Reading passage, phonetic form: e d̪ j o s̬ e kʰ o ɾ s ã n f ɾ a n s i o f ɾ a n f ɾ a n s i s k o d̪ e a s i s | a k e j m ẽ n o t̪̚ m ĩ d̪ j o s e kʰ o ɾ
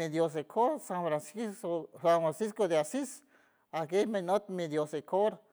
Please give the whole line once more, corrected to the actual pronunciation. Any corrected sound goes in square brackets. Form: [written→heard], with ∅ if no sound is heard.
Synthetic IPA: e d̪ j o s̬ e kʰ o ɾ s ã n f ɾ a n s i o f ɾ a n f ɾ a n s i s k o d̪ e a s i s | a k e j m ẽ n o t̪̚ m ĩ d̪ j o s e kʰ o ɾ

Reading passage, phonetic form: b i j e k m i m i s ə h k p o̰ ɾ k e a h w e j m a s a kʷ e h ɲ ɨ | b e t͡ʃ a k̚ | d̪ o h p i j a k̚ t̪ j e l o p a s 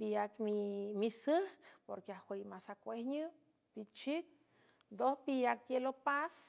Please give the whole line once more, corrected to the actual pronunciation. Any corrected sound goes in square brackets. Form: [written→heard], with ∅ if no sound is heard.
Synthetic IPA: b i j [e→a] k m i m i s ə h k p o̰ ɾ k e a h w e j m a s a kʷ e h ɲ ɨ | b [e→i] t͡ʃ [a→i] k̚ | d̪ o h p i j a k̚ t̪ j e l o p a s

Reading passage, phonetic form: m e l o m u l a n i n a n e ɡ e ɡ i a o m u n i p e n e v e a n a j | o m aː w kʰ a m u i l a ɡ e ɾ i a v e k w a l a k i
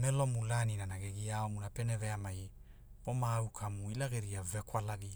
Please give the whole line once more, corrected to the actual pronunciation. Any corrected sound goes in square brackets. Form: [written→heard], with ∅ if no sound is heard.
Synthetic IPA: m e l o m u l a n i n a n [e→a] ɡ e ɡ i a o m u n [i→a] p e n e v e a [n→m] a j | o m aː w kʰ a m u i l a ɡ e ɾ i a v e k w a l a [k→ɡ] i

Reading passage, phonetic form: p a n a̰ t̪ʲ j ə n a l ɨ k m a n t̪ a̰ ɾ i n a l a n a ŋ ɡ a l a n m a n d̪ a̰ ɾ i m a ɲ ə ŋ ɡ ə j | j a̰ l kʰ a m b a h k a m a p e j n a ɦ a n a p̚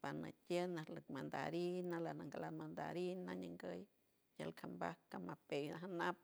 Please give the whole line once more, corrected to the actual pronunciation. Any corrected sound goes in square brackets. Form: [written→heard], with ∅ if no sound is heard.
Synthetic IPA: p a n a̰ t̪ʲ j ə n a l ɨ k m a n [t̪→d̪] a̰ ɾ i n a l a n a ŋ ɡ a l a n m a n d̪ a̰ ɾ i [m→n] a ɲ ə ŋ ɡ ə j | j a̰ l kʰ a m b a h k a m a p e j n a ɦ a n a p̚

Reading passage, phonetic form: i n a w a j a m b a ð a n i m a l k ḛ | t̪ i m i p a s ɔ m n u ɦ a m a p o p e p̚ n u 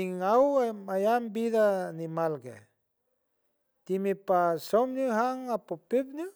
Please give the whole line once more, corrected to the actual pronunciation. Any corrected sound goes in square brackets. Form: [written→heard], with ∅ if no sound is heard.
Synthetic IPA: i [n→ŋ] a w a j a m b [a→i] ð a n i m a l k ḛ | t̪ i m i p a s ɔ m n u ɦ a [m→ŋ] a p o p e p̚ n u

